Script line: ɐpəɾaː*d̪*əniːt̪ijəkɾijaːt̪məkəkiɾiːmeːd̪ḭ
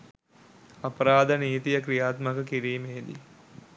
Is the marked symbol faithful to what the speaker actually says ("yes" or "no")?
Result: yes